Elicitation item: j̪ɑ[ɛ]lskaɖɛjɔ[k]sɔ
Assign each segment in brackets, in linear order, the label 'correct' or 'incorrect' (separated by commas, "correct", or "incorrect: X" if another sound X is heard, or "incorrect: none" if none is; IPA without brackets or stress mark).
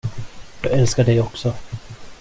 correct, correct